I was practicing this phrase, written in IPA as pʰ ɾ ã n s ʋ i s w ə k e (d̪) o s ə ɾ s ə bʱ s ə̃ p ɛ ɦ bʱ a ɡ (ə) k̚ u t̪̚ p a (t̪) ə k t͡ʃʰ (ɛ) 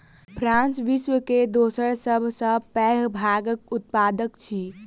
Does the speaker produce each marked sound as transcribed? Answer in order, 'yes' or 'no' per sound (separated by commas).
yes, yes, no, no